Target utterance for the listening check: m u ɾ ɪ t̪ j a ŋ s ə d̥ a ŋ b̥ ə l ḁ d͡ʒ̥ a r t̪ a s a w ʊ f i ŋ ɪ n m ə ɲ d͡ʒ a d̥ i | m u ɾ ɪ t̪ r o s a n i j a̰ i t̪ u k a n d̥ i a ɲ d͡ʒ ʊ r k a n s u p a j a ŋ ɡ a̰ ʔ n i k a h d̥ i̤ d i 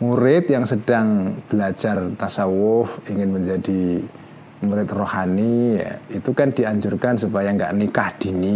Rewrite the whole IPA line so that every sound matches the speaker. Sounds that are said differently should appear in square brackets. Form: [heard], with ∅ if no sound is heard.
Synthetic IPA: m u ɾ ɪ t̪ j a ŋ s ə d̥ a ŋ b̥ ə l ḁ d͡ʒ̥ a r t̪ a s a w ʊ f i ŋ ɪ n m ə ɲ d͡ʒ a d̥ i | m u ɾ ɪ t̪ r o [h] a n i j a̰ i t̪ u k a n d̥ i a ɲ d͡ʒ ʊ r k a n s u p a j a ŋ ɡ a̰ ʔ n i k a h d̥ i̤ [n] i